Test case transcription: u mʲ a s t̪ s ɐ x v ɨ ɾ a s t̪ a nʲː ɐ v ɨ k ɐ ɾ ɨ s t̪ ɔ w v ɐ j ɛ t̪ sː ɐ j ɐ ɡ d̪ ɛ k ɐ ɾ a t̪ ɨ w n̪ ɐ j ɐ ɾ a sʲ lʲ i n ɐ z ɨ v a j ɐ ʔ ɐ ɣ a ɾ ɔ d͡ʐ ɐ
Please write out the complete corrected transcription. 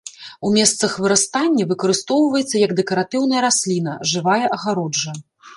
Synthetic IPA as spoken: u mʲ ɛ s t̪ s ɐ x v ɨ ɾ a s t̪ a nʲː ɐ v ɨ k ɐ ɾ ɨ s t̪ ɔ w v ɐ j ɛ t̪ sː ɐ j ɐ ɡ d̪ ɛ k ɐ ɾ a t̪ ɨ w n̪ ɐ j ɐ ɾ a sʲ lʲ i n ɐ ʐ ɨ v a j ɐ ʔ ɐ ɣ a ɾ ɔ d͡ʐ ɐ